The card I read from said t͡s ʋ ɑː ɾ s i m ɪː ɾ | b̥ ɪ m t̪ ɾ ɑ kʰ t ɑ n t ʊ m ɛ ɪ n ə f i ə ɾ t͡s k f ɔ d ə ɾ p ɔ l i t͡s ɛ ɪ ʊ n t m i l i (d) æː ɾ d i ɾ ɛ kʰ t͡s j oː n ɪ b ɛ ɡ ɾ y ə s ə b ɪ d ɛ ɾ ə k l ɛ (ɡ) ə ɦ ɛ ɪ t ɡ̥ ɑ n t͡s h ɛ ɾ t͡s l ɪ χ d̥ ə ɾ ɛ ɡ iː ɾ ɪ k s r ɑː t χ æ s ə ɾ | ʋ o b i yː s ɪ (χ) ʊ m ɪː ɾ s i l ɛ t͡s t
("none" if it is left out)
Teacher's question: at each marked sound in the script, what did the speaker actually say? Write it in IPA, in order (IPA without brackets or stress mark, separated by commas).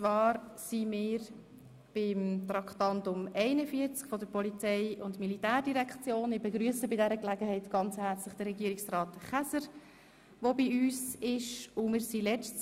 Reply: t, ɡ, ʃ